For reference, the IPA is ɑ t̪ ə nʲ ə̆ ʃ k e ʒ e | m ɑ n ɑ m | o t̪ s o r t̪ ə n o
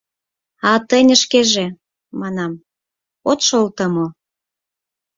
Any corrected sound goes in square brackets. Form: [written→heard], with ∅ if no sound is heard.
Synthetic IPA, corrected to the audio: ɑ t̪ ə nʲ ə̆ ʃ k e ʒ e | m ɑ n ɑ m | o t̪ [s→ʃ] o [r→l] t̪ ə [n→m] o